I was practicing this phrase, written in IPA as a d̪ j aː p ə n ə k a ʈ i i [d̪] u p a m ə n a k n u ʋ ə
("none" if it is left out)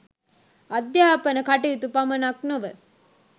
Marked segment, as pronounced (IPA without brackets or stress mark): t̪